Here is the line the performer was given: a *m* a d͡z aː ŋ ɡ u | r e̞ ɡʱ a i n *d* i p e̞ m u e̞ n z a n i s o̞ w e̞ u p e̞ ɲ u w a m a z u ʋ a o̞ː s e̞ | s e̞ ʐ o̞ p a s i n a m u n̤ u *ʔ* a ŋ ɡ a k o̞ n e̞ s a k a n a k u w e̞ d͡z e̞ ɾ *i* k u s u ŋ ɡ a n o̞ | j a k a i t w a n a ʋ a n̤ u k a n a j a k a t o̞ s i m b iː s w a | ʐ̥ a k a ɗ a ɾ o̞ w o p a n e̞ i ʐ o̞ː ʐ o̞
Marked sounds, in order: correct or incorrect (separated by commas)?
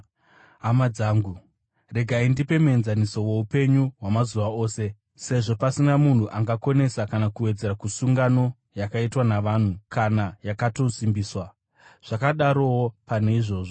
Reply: correct, correct, correct, incorrect